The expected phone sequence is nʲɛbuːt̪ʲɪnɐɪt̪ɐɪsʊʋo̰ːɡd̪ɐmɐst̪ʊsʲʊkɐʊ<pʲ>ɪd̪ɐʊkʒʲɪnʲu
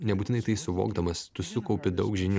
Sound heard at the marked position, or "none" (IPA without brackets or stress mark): pʲ